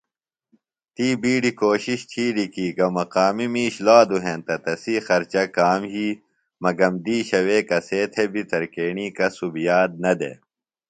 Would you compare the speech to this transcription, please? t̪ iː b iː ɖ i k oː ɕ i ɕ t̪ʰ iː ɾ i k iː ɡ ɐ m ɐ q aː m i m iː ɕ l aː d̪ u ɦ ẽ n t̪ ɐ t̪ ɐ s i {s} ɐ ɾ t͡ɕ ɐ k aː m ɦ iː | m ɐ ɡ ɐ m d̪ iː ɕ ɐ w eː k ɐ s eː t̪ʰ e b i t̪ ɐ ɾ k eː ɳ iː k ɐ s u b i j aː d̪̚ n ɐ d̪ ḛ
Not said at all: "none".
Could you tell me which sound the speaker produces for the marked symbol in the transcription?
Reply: x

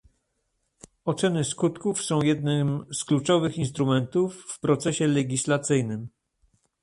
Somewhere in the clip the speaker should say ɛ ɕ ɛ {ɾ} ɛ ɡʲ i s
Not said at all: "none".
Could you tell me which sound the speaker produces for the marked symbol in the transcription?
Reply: l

